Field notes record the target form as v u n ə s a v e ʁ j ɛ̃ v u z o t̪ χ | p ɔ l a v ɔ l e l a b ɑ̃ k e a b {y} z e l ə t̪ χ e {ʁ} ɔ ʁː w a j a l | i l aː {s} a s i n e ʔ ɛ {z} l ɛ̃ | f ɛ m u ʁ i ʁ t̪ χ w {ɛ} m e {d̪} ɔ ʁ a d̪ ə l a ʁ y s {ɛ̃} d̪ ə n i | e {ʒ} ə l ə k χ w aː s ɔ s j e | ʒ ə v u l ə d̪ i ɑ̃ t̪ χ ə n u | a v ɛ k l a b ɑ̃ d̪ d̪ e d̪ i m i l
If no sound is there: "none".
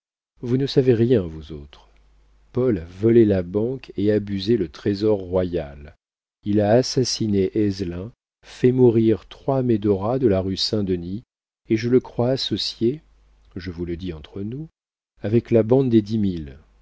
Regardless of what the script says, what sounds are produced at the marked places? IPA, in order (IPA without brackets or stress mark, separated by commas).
y, z, s, z, a, d̪, ɛ̃, ʒ